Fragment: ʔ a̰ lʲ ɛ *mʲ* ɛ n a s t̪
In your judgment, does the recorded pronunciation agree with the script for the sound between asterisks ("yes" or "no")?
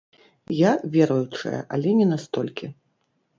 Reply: no